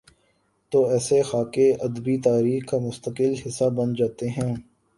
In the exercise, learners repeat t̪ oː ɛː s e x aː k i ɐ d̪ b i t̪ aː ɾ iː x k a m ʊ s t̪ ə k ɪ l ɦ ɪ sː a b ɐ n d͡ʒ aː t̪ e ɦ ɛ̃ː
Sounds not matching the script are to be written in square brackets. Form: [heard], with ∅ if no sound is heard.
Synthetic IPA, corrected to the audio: t̪ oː ɛː s e x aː k [e] ɐ d̪ b i t̪ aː ɾ iː x k a m ʊ s t̪ ə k ɪ l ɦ ɪ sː a b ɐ n d͡ʒ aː t̪ e ɦ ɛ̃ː